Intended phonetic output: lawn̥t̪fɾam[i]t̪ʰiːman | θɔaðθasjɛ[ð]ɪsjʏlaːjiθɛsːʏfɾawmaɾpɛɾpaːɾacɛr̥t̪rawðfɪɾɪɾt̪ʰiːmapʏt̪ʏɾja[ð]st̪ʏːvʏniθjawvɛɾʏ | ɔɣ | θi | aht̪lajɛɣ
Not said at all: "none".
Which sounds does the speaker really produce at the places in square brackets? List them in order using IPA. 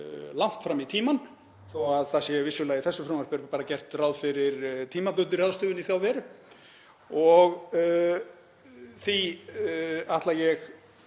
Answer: i, v, ð

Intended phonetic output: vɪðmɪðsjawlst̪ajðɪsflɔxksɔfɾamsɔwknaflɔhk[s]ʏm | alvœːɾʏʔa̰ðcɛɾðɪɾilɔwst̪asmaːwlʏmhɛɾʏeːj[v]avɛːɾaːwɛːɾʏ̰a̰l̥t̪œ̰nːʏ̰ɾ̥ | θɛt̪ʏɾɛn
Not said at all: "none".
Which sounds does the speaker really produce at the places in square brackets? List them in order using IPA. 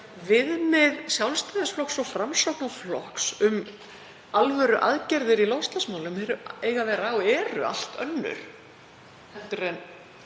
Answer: s, ɣ

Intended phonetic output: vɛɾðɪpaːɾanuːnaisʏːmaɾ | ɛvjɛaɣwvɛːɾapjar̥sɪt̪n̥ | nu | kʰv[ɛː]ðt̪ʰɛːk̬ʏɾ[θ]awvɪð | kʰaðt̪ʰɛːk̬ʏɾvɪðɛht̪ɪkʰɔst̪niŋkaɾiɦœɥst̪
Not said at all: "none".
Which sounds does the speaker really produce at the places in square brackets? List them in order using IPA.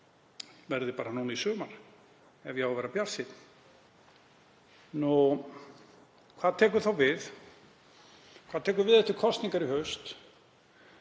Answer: aː, θ

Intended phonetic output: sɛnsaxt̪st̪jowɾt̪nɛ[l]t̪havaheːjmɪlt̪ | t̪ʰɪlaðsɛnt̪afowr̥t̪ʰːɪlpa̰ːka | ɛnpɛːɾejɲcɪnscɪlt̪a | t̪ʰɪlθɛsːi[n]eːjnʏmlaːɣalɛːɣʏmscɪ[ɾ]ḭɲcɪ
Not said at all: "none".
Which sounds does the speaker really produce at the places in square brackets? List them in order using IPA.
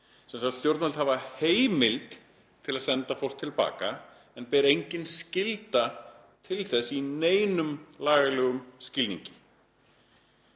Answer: l, n, l

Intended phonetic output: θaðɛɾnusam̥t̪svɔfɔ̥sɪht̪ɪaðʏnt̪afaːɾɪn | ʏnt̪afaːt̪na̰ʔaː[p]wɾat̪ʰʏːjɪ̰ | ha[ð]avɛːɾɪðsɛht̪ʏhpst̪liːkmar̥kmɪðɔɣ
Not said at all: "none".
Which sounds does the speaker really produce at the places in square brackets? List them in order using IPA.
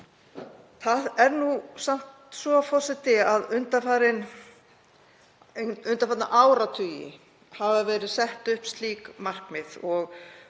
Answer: none, v

